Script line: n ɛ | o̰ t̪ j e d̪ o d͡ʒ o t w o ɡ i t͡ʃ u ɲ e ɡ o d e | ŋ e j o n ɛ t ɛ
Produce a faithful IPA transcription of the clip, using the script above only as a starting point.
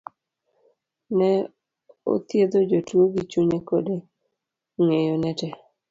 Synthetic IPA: n ɛ | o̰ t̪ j e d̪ o d͡ʒ o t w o ɡ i t͡ʃ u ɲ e k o d e | ŋ e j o n ɛ t ɛ